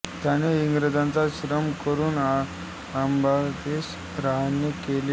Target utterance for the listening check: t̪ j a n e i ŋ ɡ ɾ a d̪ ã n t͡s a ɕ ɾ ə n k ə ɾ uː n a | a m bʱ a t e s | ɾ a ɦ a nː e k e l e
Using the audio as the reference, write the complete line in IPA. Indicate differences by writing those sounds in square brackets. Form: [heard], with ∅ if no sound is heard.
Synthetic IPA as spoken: t̪ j a n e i ŋ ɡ ɾ [ə] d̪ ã n t͡s a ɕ ɾ ə [m] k ə ɾ uː n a | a m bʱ a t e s | ɾ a ɦ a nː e k e l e